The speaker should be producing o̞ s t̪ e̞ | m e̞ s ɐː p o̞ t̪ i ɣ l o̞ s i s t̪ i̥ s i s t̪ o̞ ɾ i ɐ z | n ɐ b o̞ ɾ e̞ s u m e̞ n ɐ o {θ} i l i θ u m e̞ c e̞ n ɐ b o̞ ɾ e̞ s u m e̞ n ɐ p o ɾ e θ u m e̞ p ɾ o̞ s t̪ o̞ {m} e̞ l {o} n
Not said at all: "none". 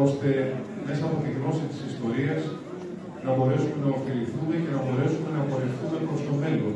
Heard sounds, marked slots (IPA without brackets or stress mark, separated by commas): f, m, o